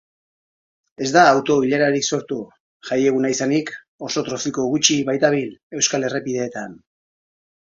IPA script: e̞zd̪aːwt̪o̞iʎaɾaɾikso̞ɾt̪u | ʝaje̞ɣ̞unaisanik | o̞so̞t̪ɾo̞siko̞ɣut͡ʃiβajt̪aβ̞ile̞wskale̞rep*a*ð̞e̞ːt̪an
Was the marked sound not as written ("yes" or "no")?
yes